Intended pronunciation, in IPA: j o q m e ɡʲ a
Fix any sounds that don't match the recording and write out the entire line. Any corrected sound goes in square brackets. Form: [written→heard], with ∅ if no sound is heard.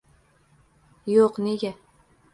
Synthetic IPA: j o q [m→n] e ɡʲ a